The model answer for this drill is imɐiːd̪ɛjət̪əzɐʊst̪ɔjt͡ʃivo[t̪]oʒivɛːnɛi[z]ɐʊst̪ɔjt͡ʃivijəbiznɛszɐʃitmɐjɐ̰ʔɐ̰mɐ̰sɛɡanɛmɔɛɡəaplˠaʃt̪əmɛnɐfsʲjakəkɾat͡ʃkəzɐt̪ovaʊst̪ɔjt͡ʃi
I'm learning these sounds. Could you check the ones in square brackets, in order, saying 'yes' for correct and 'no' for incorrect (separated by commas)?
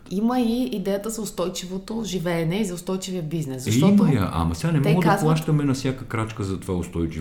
yes, yes